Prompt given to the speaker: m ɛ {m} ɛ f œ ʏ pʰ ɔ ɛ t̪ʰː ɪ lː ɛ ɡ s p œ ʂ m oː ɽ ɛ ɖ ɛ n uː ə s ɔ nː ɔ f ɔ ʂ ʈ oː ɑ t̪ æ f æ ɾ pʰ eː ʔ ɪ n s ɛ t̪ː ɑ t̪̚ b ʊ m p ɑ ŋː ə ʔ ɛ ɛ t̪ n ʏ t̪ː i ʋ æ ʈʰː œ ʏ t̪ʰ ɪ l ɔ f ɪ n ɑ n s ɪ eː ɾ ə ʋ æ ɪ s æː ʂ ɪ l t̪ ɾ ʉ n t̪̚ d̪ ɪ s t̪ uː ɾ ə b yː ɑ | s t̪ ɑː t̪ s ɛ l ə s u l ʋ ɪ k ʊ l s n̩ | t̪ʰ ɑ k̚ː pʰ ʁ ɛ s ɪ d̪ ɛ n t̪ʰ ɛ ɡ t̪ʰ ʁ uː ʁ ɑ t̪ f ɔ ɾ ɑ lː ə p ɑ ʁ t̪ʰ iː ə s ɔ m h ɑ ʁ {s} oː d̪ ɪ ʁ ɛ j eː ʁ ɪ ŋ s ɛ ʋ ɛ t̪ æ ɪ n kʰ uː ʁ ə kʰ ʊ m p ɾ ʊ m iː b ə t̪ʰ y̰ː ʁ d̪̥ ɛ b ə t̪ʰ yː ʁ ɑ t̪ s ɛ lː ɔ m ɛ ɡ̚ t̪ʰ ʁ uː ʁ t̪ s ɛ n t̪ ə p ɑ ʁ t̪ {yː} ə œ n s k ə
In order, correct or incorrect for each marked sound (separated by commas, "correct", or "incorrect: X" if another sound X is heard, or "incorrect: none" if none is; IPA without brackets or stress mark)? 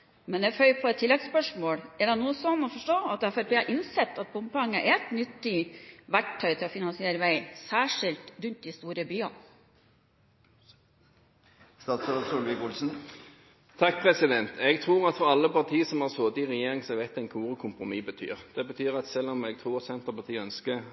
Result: incorrect: n, correct, incorrect: iː